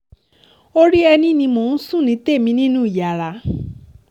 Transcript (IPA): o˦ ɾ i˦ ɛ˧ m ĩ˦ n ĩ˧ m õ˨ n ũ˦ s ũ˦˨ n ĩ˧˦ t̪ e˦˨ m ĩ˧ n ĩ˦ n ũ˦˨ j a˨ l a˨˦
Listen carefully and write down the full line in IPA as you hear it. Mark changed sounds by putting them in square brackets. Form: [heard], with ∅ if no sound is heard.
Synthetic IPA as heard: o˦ ɾ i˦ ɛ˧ [n] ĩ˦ n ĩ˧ m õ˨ n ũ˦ s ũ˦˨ n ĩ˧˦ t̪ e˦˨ m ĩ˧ n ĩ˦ n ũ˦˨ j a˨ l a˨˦